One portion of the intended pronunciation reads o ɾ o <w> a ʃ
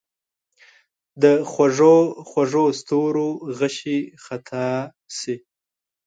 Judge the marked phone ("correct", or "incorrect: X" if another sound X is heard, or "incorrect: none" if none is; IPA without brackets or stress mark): incorrect: ɣ